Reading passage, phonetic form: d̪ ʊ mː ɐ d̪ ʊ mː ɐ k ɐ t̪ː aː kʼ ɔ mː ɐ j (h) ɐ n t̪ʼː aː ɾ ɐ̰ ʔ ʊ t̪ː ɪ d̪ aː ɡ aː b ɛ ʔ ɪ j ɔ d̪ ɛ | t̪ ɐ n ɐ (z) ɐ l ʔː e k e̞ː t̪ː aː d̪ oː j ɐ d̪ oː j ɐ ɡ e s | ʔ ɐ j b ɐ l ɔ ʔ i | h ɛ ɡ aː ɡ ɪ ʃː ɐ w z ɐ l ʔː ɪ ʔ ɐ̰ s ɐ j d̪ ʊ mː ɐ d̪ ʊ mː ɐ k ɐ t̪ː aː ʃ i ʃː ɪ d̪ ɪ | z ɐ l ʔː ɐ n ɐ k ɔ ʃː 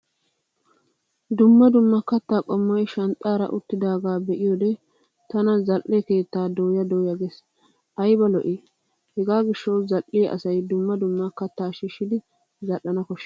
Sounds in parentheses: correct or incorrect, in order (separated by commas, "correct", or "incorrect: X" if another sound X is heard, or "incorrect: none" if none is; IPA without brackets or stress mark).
incorrect: ʃ, correct